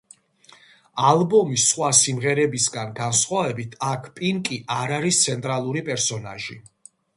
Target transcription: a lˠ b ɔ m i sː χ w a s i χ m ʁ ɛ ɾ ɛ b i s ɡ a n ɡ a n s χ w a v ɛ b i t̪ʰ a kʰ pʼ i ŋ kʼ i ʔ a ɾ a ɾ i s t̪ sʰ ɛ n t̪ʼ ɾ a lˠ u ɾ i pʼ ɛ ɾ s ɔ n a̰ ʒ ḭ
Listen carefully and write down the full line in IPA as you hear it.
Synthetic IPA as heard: a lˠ b ɔ m i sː χ w a s i m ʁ ɛ ɾ ɛ b i s ɡ a n ɡ a n s χ w a v ɛ b i t̪ʰ a kʰ pʼ i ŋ kʼ i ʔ a ɾ a ɾ i s t̪ sʰ ɛ n t̪ʼ ɾ a lˠ u ɾ i pʼ ɛ ɾ s ɔ n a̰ ʒ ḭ